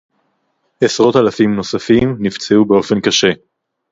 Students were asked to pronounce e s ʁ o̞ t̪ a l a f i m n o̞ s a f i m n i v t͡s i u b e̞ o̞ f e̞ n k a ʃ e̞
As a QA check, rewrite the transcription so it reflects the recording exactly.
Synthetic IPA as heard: e s ʁ o̞ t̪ a l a f i m n o̞ s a f i m n i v t͡s e u b e̞ o̞ f e̞ n k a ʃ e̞